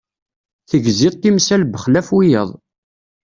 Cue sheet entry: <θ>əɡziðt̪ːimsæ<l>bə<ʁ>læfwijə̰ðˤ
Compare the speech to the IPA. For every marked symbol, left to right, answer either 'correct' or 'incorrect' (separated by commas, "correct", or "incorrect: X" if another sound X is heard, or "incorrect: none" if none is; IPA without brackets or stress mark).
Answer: correct, correct, incorrect: χ